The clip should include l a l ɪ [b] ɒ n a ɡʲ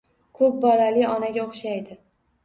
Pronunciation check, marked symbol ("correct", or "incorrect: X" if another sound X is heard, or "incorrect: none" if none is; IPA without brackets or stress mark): incorrect: none